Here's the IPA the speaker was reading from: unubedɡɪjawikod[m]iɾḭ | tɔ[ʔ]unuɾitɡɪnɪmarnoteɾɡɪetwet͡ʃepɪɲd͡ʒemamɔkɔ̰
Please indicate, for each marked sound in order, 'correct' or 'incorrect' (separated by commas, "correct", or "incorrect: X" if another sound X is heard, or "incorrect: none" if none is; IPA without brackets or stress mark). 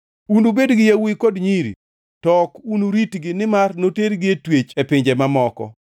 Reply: incorrect: ɲ, incorrect: k